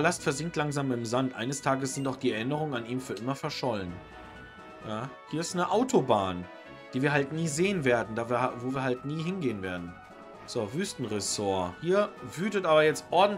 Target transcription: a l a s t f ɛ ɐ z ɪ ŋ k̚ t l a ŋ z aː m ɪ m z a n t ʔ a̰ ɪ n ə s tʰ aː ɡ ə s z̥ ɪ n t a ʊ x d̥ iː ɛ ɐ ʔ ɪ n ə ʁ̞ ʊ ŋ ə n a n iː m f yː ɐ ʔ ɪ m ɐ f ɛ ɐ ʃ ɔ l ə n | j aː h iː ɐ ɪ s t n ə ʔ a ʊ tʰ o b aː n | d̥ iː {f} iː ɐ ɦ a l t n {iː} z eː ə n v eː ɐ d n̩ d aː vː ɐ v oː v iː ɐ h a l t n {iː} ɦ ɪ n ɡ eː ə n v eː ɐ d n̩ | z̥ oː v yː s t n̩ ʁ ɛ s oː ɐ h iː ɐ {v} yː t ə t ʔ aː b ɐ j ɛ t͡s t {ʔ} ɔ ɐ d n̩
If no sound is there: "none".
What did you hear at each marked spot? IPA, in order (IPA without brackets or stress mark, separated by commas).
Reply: v, iː, iː, v, ʔ